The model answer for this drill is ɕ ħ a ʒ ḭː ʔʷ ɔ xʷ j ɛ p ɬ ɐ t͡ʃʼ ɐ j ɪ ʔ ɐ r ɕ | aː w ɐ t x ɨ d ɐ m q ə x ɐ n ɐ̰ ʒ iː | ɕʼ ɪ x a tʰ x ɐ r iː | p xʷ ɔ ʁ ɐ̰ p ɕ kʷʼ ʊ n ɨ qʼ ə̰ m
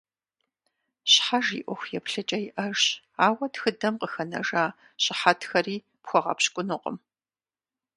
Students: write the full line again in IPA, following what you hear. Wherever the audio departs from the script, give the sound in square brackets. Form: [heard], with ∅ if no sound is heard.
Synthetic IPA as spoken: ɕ ħ a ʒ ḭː ʔʷ ɔ xʷ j ɛ p ɬ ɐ t͡ʃʼ ɐ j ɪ ʔ ɐ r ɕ | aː w ɐ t x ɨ d ɐ m q ə x ɐ n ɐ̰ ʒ [aː] | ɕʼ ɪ [ħ] a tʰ x ɐ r iː | p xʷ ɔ ʁ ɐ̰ p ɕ kʷʼ ʊ n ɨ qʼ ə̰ m